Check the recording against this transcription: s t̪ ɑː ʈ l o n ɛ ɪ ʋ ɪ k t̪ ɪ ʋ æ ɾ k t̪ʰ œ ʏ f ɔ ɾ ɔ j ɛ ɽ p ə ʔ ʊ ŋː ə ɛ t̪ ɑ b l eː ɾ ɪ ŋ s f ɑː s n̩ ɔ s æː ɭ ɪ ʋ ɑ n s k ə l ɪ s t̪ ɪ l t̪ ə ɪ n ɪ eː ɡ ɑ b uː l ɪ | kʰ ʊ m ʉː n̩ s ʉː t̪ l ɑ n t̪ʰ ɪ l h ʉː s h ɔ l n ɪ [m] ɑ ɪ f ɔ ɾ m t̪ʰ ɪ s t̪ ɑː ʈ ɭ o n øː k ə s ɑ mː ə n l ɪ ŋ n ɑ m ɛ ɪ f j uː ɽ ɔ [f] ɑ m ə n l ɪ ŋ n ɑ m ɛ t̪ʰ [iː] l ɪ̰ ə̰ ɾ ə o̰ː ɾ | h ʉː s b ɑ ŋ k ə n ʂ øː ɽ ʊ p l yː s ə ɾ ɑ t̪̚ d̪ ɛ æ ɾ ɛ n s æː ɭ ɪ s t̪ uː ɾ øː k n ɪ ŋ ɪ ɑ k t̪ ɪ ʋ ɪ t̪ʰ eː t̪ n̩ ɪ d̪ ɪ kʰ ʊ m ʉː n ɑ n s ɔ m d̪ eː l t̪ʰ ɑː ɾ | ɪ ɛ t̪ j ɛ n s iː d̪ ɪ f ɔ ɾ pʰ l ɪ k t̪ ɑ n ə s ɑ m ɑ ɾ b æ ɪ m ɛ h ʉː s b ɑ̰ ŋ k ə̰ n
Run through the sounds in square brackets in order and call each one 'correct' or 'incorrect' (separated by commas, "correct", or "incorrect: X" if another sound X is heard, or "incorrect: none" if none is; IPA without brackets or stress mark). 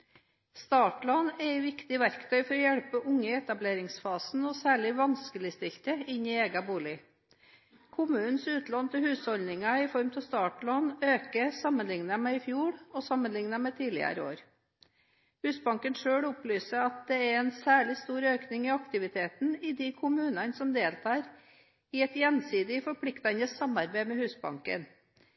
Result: incorrect: ŋ, incorrect: s, correct